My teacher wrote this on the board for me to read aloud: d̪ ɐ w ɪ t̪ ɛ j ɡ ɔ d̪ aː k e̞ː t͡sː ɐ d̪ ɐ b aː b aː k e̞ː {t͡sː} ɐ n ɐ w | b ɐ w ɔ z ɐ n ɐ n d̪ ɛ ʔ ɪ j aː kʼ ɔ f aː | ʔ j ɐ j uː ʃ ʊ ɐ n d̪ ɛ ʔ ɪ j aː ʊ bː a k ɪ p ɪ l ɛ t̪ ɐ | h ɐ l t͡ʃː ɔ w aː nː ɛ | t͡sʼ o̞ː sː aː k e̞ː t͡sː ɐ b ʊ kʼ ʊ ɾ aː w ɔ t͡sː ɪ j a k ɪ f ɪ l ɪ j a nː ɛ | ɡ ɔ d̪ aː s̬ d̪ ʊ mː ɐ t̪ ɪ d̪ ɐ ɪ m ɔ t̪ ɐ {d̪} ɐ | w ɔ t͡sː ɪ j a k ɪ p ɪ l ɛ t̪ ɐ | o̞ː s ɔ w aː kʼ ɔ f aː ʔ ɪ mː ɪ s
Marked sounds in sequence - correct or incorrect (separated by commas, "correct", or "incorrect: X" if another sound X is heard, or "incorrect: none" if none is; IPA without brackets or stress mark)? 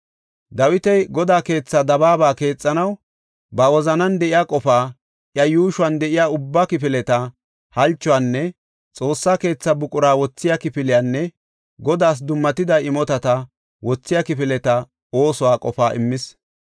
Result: incorrect: t͡sʼː, incorrect: t̪